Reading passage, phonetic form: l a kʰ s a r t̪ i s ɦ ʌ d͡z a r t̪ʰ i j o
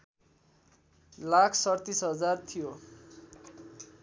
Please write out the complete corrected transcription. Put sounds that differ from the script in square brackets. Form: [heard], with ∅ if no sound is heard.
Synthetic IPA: l a kʰ s [ʌ] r t̪ i s ɦ ʌ d͡z a r t̪ʰ i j o